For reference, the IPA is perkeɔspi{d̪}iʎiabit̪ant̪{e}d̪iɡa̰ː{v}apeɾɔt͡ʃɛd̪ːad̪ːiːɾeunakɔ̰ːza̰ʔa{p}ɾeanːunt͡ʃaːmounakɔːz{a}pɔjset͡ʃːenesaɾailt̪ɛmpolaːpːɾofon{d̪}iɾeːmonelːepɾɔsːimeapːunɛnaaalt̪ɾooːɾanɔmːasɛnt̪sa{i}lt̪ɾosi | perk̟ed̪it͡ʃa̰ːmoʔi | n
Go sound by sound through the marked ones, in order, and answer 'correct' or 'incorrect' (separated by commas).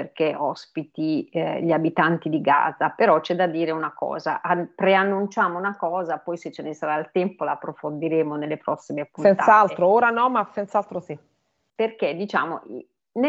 incorrect, incorrect, incorrect, correct, correct, correct, incorrect